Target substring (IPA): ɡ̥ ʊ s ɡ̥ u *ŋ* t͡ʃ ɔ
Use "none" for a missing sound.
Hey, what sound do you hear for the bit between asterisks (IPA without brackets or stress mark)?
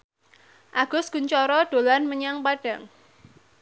ɲ